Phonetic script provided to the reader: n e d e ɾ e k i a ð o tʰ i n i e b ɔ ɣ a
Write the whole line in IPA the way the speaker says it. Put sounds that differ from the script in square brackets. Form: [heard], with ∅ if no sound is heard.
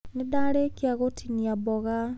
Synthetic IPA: n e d [a] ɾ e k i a [ɣ] o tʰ i n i [a] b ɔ ɣ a